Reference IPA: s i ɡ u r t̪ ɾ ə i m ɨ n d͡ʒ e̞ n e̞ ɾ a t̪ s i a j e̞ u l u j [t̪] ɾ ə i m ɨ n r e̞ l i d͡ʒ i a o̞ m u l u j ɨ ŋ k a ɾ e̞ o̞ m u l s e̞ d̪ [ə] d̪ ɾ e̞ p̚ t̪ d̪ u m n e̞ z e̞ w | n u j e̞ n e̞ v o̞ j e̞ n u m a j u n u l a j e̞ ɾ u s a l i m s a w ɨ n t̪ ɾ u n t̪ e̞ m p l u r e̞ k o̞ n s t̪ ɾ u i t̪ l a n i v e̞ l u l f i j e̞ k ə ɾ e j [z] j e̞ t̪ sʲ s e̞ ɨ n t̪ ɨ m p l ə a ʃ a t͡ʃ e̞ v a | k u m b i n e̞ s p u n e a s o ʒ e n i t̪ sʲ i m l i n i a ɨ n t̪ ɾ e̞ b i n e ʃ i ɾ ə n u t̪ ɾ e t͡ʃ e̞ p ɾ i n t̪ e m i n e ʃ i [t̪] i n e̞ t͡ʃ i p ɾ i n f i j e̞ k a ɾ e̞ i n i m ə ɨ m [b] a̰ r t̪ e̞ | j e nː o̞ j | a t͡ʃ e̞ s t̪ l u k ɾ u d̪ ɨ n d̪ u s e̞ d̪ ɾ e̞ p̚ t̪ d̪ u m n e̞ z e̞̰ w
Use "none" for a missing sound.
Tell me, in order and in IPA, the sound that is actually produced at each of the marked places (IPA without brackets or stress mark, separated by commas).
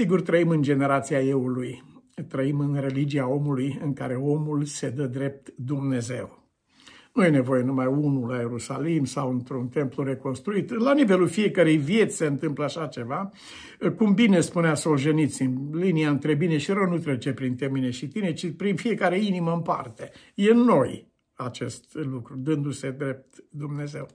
t̪, ə, v, t̪, p